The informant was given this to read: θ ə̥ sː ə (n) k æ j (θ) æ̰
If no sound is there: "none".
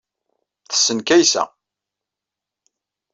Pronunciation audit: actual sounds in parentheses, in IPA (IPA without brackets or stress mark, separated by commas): n, s